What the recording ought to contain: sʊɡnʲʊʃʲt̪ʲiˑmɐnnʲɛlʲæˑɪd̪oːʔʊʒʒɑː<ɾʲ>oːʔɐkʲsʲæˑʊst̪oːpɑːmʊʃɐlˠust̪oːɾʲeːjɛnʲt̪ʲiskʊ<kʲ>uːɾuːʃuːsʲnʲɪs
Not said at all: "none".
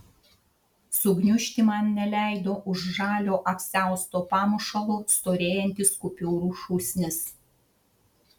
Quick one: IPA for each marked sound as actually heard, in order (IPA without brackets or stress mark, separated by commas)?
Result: lʲ, pʲ